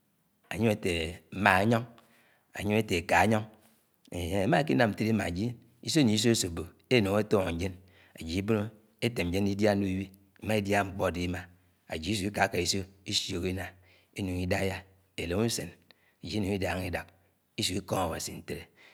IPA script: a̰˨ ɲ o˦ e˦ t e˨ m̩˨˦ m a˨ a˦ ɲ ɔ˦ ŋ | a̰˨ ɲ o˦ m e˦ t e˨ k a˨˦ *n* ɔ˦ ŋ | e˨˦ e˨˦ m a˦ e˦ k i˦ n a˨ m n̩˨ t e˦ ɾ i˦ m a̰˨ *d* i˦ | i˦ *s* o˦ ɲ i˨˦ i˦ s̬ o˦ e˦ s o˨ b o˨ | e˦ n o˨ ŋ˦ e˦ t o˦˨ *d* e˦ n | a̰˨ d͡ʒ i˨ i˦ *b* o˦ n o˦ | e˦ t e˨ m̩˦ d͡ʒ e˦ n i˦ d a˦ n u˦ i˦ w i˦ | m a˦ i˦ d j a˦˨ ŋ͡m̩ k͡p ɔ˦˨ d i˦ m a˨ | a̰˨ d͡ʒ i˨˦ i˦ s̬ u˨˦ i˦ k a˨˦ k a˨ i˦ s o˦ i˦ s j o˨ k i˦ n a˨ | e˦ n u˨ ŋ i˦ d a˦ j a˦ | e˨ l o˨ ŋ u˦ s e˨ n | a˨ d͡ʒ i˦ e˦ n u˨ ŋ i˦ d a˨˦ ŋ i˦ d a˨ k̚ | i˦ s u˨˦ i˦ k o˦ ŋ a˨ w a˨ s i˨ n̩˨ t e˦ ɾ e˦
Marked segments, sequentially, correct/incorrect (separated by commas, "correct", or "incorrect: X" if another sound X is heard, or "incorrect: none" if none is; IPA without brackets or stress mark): incorrect: ɲ, incorrect: d͡ʒ, correct, incorrect: d͡ʒ, correct